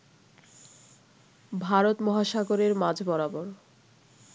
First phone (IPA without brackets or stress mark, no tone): bʱ